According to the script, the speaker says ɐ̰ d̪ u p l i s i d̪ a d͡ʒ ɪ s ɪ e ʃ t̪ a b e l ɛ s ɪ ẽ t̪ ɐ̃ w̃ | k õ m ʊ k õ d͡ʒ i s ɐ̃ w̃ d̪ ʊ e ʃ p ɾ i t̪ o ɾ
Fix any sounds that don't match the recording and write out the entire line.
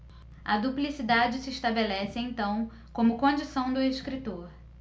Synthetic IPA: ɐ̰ d̪ u p l i s i d̪ a d͡ʒ ɪ s ɪ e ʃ t̪ a b e l ɛ s ɪ ẽ t̪ ɐ̃ w̃ | k õ m ʊ k õ d͡ʒ i s ɐ̃ w̃ d̪ ʊ e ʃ k ɾ i t̪ o ɾ